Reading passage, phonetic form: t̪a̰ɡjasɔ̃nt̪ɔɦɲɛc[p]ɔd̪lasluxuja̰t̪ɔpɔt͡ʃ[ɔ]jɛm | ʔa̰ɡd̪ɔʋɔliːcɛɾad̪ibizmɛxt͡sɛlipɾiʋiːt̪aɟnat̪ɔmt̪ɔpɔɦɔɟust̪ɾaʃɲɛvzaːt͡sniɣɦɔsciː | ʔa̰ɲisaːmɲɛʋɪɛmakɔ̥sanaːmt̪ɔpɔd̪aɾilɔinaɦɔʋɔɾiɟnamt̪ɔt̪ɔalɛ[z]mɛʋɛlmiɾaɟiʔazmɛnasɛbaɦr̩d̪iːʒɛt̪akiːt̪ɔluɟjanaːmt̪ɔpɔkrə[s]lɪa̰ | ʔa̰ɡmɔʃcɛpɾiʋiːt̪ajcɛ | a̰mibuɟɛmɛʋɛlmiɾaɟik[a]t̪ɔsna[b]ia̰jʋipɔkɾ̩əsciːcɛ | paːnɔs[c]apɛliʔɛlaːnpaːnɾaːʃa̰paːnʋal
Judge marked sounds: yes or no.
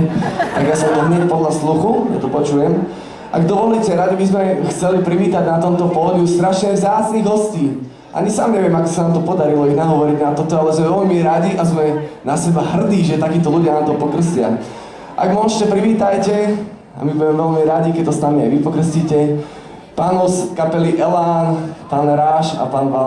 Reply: yes, no, yes, yes, no, no, no

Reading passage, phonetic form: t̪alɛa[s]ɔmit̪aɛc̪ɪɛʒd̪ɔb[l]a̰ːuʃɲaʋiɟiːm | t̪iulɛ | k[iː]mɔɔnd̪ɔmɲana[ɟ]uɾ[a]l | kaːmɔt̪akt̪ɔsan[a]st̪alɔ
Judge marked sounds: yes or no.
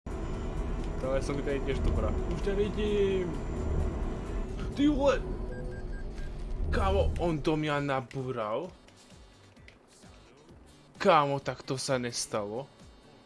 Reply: yes, no, no, no, yes, no

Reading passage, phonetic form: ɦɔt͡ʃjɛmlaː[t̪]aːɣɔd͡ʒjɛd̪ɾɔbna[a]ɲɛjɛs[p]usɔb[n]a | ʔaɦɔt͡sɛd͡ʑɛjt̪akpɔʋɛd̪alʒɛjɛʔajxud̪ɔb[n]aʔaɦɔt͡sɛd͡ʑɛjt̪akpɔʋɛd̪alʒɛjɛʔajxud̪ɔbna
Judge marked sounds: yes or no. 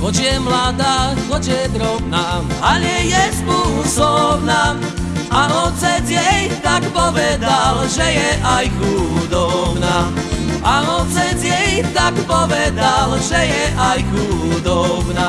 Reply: no, yes, yes, yes, yes

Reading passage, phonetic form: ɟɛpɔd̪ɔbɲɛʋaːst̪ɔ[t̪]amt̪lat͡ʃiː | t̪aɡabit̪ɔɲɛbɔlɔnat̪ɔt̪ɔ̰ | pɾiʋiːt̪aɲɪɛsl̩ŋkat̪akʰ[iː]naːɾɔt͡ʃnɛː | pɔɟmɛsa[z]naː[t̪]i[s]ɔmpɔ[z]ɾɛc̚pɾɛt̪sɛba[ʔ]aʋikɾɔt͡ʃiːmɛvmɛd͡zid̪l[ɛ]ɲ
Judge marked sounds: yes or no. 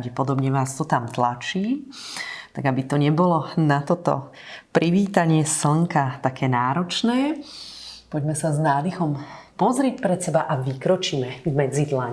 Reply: yes, no, yes, no, no, yes, yes, no

